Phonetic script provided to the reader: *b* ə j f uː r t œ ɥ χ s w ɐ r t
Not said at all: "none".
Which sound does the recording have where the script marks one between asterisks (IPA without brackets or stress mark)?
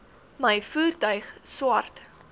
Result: m